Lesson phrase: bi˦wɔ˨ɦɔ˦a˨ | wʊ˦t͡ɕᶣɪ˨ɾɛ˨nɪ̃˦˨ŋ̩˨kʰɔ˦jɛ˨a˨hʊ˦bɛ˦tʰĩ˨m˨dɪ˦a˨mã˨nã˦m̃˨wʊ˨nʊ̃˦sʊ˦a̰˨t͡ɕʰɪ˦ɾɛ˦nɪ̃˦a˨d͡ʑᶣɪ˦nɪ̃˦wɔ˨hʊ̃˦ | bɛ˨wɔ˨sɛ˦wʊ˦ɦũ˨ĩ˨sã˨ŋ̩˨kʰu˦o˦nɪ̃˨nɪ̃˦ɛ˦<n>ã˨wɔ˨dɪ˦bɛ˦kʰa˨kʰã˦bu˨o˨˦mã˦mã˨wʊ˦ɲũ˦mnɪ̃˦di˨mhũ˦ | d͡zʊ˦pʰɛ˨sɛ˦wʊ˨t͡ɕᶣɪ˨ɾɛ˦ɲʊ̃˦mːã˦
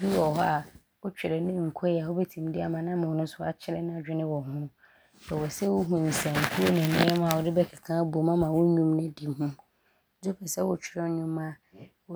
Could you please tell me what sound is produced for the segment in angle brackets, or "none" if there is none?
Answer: m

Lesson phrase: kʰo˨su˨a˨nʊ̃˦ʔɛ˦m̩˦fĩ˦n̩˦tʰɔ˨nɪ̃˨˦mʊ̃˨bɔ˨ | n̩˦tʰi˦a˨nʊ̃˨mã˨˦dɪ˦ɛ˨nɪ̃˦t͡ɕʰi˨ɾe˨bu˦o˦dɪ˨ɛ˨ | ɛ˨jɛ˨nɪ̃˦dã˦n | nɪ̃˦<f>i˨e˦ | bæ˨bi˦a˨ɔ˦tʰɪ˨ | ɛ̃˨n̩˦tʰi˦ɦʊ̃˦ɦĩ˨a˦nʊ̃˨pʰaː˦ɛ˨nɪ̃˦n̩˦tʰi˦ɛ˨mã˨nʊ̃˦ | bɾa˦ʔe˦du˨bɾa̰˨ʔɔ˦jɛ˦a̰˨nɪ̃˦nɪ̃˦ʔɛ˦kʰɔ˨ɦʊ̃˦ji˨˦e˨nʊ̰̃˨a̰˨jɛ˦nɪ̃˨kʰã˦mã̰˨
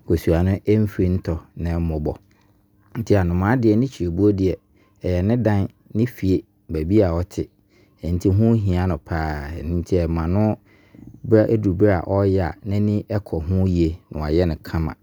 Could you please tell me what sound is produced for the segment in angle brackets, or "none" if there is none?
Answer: f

